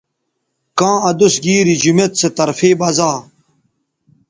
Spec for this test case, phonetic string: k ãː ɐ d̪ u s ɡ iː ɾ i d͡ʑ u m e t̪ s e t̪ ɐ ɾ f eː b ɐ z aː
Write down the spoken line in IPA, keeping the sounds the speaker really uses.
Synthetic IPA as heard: k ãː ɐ d̪ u s ɡ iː ɾ i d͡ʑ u m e t̪ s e t̪ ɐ ɾ f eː b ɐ z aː